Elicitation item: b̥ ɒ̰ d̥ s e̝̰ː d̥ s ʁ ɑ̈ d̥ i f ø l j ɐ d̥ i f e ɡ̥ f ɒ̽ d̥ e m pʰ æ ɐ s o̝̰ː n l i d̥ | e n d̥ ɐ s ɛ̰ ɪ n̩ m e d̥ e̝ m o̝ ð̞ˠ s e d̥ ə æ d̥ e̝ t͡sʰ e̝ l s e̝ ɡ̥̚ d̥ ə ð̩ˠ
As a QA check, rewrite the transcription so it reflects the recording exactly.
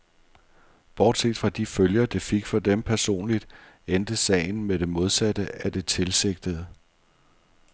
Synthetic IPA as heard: b̥ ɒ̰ d̥ s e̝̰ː d̥ f ʁ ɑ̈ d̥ i f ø l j ɐ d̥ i f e ɡ̥ f ɒ̽ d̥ e m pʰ æ ɐ s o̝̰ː n l i d̥ | e n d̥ ə s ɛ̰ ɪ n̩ m e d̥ e̝ m o̝ ð̞ˠ s æ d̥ ə æ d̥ e̝ t͡sʰ e̝ l s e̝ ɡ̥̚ d̥ ə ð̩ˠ

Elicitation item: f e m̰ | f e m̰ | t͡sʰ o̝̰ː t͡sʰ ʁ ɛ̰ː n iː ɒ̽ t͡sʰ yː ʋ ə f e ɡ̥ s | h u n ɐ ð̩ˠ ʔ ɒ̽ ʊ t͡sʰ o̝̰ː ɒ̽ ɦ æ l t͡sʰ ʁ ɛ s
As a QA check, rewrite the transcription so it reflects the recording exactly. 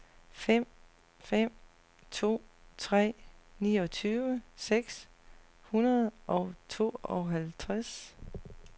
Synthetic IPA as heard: f e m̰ | f e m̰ | t͡sʰ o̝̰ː t͡sʰ ʁ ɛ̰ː n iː ɒ̽ t͡sʰ yː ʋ ə s e ɡ̥ s | h u n ɐ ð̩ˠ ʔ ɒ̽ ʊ t͡sʰ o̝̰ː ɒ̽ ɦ æ l t͡sʰ ʁ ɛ s

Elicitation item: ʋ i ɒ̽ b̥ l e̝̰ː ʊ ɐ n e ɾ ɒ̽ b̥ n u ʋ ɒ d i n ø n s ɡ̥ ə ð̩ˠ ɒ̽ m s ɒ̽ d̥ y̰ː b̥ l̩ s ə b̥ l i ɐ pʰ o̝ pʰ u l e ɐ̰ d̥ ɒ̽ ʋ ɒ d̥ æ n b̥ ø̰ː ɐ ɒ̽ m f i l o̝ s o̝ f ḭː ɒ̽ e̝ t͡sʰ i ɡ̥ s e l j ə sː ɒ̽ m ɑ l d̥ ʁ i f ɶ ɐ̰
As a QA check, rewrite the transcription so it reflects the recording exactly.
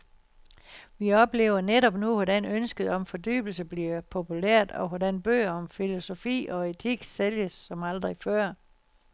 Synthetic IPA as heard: ʋ i ɒ̽ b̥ l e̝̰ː ʊ ɐ n e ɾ ɒ̽ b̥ n u ʋ ɒ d æ n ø n s ɡ̥ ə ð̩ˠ ɒ̽ m f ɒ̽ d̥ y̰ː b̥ l̩ s ə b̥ l i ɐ pʰ o̝ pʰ u l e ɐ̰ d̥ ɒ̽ ʋ ɒ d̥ æ n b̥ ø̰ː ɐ ɒ̽ m f i l o̝ s o̝ f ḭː ɒ̽ e̝ t͡sʰ i ɡ̥ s e l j ə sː ɒ̽ m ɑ l d̥ ʁ i f ɶ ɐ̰

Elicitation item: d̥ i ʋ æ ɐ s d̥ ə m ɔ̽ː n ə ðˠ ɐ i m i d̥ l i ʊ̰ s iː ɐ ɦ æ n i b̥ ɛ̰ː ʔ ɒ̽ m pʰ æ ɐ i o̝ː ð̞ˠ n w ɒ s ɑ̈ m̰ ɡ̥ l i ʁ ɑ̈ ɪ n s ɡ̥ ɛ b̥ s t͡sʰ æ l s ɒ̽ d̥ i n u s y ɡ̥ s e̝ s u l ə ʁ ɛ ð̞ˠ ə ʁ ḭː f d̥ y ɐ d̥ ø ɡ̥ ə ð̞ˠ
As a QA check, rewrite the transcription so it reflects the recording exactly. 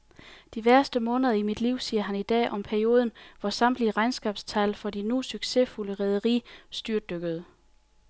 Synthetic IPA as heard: d̥ i ʋ æ ɐ s d̥ ə m ɔ̽ː n ə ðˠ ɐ i m i d̥ l i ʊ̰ s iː ɐ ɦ æ n i d̥ ɛ̰ː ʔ ɒ̽ m pʰ æ ɐ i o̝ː ð̞ˠ n ʋ ɒ s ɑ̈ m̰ d̥ l i ʁ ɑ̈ ɪ n s ɡ̥ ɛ b̥ s t͡sʰ æ l f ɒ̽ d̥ i n u s y ɡ̥ s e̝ f u l ə ʁ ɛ ð̞ˠ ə ʁ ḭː s d̥ y ɐ d̥ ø ɡ̥ ə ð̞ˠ

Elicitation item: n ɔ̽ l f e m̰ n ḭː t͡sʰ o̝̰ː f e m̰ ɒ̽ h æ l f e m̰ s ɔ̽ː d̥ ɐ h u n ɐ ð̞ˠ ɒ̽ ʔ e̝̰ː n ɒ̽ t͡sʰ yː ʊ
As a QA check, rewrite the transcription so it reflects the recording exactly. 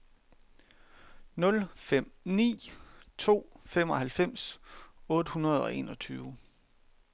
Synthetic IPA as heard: n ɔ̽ l f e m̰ n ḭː t͡sʰ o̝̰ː f e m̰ ɒ̽ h æ l f e m̰ s ɔ̽ː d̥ ə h u n ɐ ð̞ˠ ɒ̽ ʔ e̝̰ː n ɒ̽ t͡sʰ yː ʊ

